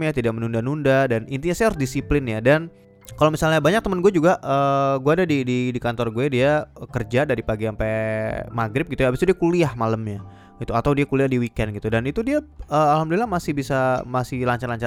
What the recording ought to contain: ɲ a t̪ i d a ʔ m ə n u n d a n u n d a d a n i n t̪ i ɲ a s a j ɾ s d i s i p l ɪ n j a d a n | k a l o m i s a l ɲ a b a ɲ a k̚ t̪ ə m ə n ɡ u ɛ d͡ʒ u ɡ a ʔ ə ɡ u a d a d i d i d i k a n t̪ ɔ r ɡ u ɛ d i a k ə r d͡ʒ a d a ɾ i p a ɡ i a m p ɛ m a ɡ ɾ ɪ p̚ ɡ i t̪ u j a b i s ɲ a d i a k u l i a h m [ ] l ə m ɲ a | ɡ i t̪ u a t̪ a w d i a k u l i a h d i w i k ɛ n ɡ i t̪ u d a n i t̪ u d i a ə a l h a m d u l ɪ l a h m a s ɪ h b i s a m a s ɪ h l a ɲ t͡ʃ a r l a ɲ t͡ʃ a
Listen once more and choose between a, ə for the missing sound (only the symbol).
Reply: a